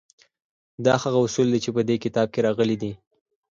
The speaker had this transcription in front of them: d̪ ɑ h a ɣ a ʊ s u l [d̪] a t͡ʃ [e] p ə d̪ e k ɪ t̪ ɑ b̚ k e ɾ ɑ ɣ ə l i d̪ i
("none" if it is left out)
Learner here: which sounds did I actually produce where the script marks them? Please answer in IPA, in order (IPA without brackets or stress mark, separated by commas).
d̪, e